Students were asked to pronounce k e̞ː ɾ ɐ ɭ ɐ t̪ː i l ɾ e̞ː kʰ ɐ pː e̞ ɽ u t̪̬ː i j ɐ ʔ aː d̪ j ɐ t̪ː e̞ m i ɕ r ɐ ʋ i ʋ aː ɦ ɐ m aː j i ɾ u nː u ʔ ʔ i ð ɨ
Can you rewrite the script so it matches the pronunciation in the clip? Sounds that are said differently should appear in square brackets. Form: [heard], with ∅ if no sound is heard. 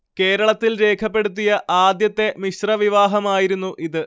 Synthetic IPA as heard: k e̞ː ɾ ɐ ɭ ɐ t̪ː i l ɾ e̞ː kʰ ɐ pː e̞ ɽ u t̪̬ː i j ɐ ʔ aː d̪ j ɐ t̪ː e̞ m i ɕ r ɐ ʋ i ʋ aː ɦ ɐ m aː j i ɾ u nː u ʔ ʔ i ð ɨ